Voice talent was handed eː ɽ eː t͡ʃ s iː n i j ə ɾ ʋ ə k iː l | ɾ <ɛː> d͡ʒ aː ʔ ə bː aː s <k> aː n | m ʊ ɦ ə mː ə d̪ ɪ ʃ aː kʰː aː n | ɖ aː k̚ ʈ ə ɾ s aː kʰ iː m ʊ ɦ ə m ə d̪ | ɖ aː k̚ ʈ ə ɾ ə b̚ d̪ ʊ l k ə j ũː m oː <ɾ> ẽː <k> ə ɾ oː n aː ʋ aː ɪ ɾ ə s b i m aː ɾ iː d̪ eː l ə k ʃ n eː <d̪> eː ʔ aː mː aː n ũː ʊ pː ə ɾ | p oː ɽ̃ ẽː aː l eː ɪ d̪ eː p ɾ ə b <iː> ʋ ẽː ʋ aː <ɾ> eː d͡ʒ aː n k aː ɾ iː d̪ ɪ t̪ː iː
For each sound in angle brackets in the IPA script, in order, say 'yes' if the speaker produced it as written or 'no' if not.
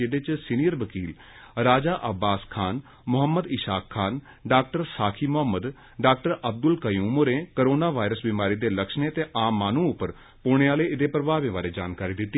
no, no, yes, yes, no, no, yes

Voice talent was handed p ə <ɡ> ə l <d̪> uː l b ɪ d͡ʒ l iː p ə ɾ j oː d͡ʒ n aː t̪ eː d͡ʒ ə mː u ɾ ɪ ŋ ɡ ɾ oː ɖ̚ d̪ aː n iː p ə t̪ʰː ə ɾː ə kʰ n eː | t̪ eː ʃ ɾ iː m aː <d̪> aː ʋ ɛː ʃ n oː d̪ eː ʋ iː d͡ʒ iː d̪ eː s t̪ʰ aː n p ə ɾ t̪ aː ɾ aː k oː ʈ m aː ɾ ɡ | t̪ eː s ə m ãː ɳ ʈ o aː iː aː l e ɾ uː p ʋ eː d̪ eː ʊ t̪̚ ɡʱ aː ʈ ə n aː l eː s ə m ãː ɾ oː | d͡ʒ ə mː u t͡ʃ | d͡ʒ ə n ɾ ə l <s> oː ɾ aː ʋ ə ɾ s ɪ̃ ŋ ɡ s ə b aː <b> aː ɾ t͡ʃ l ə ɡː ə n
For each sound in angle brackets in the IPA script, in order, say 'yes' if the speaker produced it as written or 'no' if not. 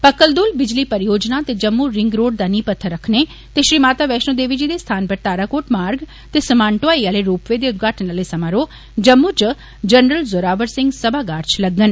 no, yes, no, no, no

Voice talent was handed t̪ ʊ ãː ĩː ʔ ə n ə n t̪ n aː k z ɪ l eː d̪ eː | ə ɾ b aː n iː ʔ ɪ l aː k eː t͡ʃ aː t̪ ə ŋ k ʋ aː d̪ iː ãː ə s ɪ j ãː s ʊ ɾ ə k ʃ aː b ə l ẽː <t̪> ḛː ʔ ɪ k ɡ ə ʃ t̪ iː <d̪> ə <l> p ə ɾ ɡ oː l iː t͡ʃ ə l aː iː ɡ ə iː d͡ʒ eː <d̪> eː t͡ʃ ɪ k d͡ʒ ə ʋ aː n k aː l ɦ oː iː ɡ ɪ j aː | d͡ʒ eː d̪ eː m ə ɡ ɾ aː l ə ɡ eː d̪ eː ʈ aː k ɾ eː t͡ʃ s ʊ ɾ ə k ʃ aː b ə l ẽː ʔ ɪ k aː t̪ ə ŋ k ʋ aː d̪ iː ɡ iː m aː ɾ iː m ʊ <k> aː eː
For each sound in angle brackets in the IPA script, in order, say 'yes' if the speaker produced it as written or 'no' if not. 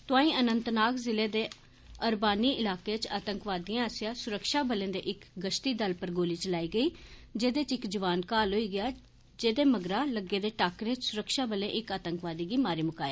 no, yes, yes, yes, yes

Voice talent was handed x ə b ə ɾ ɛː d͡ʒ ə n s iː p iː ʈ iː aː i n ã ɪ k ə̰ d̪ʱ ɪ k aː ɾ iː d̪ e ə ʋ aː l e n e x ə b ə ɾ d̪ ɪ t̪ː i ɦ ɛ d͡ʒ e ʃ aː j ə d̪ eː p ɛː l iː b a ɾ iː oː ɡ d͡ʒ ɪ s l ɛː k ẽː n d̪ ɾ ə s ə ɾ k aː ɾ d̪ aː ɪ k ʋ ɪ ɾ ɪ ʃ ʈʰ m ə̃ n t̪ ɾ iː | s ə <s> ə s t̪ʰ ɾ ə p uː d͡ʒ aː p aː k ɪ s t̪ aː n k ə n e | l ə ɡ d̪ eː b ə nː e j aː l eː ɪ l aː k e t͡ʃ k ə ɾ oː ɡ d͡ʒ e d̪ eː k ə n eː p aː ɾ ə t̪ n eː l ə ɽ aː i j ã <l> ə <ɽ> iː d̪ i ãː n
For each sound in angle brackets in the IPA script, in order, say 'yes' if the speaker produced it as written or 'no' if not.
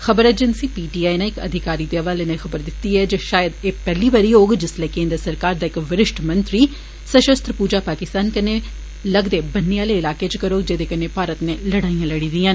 no, yes, yes

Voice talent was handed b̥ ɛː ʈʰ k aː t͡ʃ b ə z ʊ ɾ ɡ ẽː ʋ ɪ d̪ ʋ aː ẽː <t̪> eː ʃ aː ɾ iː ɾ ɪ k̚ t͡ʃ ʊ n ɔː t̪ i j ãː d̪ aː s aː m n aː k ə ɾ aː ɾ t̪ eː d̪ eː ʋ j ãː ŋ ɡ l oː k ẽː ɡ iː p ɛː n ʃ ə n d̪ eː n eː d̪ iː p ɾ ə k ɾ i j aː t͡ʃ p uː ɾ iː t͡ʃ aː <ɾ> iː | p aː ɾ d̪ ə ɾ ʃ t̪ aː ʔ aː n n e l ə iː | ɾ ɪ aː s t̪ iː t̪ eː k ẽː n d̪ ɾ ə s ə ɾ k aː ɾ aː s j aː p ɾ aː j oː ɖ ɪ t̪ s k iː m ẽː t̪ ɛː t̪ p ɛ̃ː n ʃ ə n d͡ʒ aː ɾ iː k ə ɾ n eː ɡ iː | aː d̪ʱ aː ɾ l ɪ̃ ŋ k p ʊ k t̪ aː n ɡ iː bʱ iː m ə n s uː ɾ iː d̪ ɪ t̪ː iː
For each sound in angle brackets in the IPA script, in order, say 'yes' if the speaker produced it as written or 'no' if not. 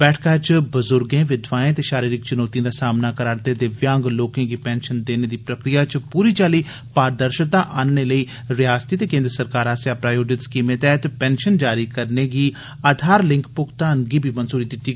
yes, no

